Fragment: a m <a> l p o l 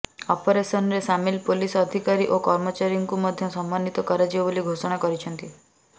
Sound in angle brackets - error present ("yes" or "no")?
yes